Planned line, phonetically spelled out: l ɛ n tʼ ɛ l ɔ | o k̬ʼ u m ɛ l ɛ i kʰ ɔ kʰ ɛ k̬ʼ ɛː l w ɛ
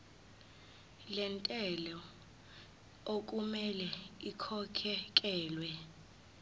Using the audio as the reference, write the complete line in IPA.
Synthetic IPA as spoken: l ɛ n tʼ ɛ l ɔ | o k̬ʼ u m ɛ l ɛ i kʰ ɔ kʰ ɛ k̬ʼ ɛː l w ɛ